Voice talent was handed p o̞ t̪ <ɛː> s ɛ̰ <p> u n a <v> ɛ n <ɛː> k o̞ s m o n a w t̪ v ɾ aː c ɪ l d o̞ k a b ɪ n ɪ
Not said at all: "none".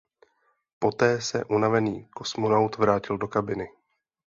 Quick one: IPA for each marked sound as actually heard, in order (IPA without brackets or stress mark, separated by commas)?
ɛː, ʔ, v, iː